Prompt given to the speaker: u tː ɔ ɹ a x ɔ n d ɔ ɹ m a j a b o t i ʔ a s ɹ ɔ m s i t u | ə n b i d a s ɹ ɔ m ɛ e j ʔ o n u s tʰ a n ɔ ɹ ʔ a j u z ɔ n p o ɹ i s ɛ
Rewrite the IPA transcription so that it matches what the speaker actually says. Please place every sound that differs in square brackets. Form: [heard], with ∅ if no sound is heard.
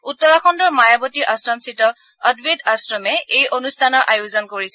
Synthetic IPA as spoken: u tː ɔ ɹ a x ɔ n d ɔ ɹ m a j a b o t i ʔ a s ɹ ɔ m s i t [ɔ] | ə [d] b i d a s ɹ ɔ m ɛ e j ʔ o n u s tʰ a n ɔ ɹ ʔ a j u z ɔ n [k] o ɹ i s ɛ